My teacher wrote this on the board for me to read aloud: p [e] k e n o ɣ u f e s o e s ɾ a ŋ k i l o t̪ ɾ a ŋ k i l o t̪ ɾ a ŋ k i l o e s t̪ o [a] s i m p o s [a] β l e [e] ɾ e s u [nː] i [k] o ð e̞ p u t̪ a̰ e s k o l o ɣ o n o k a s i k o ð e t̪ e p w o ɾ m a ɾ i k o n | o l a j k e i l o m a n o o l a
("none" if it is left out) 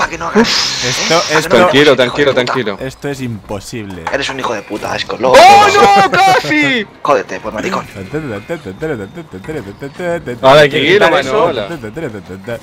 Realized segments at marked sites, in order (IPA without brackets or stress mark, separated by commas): a, e, i, e, n, x